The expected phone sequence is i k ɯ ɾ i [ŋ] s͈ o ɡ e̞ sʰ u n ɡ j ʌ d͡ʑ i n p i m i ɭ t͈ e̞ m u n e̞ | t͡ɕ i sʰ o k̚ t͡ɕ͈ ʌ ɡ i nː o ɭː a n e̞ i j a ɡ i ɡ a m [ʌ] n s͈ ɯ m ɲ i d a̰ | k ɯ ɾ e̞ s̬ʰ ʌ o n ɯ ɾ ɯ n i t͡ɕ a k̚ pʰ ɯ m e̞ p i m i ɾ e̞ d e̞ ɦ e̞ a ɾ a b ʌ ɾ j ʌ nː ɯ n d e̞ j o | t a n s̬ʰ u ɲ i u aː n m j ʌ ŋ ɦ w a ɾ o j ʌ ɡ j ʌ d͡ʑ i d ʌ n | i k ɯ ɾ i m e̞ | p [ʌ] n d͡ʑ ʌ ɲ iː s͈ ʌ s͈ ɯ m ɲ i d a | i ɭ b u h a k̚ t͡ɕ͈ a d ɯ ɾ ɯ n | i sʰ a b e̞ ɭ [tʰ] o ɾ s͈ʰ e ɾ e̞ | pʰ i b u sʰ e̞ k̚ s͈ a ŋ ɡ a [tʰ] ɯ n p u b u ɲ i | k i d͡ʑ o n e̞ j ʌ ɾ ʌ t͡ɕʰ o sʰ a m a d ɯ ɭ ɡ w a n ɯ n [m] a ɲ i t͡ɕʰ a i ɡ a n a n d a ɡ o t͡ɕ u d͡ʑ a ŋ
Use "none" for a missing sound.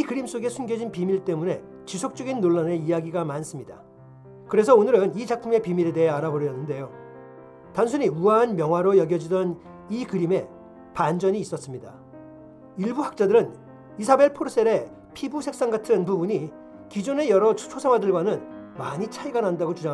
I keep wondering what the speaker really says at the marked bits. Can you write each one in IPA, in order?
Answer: m, a, a, pʰ, tʰ, m

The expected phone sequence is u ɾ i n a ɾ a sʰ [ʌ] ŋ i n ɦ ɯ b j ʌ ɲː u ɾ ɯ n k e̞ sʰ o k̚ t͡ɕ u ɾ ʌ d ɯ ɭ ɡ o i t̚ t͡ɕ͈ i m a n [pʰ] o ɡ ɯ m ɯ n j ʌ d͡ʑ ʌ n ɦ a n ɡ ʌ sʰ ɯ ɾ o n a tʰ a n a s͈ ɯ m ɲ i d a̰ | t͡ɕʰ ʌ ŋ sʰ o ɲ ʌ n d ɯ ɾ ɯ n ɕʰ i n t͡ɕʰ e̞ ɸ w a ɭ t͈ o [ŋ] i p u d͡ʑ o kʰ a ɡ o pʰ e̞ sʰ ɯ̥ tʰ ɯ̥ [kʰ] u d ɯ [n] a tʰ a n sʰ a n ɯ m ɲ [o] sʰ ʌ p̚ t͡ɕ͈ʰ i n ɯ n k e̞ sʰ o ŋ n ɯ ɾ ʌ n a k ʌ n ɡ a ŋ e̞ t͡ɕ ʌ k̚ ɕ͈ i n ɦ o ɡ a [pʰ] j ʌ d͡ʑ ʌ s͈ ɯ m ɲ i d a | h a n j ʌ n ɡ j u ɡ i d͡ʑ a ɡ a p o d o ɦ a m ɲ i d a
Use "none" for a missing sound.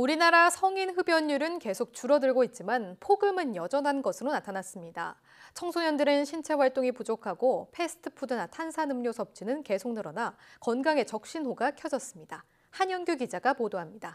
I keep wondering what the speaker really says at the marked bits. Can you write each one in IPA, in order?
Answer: ʌ, pʰ, ŋ, pʰ, n, o, kʰ

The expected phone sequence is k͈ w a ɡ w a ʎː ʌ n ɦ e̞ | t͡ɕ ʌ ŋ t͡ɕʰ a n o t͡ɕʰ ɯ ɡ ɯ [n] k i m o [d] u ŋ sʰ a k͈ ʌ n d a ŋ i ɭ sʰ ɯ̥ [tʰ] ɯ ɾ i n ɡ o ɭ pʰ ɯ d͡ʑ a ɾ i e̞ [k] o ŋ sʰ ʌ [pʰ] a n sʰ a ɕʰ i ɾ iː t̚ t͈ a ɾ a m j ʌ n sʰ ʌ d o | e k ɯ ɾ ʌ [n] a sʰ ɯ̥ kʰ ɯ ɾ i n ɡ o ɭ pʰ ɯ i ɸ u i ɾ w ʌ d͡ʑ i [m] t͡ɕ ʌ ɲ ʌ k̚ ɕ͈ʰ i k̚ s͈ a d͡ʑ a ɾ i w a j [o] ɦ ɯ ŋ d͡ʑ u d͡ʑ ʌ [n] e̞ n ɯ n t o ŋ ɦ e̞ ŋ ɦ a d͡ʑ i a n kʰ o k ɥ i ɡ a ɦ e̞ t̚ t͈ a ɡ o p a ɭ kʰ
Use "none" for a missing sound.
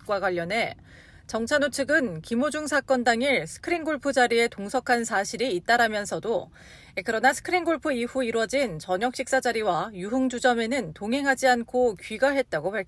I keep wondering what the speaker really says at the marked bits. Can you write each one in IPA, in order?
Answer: n, d͡ʑ, kʰ, t, kʰ, n, n, u, m

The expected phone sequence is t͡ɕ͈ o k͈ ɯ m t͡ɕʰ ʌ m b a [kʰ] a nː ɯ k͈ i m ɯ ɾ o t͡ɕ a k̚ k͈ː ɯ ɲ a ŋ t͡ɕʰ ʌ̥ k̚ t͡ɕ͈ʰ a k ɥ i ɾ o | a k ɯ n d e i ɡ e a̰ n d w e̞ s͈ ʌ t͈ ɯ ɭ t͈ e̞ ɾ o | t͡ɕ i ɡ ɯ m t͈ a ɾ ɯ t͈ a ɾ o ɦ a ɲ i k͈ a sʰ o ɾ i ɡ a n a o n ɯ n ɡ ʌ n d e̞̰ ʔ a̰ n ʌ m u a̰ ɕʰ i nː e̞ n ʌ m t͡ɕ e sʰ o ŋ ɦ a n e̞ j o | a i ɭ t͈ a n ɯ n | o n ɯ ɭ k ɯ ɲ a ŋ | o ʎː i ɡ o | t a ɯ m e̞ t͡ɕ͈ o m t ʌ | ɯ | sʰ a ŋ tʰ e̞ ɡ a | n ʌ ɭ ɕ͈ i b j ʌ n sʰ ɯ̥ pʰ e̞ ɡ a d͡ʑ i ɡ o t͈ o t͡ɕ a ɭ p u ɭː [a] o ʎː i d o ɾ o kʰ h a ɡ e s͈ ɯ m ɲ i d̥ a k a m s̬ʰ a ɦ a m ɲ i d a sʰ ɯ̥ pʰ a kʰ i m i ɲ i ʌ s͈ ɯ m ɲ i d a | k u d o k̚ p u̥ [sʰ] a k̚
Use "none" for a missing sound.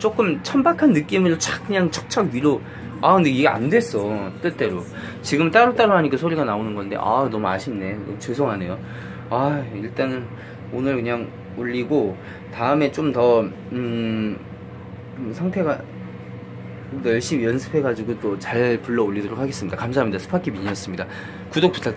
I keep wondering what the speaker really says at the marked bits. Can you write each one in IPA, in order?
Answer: kʰ, ʌ, tʰ

